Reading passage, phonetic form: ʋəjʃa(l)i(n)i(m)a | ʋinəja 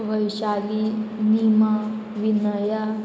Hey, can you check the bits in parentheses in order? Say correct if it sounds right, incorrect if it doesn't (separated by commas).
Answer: correct, correct, correct